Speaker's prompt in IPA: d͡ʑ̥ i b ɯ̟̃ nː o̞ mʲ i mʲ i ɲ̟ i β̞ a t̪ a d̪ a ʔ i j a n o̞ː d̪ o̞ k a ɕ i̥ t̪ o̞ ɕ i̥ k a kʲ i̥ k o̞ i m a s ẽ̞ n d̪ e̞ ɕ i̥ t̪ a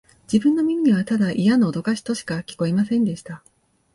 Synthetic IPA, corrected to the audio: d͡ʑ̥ i b ɯ̟̃ nː o̞ mʲ i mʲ i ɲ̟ i β̞ a t̪ a d̪ a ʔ i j a n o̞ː d̪ o̞ k a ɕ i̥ t̪ o̞ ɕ i̥ k a kʲ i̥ k o̞ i m a s ẽ̞ n d̪ e̞ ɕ i̥ t̪ a